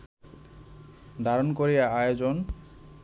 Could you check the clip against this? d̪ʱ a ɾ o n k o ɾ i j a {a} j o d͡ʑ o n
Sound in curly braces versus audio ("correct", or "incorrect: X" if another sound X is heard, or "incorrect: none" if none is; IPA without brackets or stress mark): correct